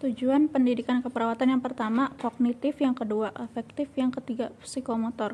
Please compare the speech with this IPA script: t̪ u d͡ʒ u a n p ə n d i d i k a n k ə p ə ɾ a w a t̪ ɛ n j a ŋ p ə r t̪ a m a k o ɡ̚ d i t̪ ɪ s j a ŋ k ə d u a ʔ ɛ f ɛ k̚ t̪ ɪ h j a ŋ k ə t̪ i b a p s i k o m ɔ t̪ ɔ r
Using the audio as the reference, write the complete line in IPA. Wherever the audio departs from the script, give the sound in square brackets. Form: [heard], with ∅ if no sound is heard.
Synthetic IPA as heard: t̪ u d͡ʒ u a n p ə n d i d i k a n k ə p ə ɾ a w a t̪ [a] n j a ŋ p ə r t̪ a m a k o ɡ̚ [n] i t̪ ɪ [f] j a ŋ k ə d u a ʔ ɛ f ɛ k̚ t̪ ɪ [f] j a ŋ k ə t̪ i [ɡ] a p s i k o m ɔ t̪ ɔ r